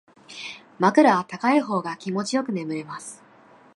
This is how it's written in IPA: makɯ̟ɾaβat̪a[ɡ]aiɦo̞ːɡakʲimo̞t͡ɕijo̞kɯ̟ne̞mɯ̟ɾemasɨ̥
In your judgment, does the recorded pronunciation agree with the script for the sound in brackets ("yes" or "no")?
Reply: no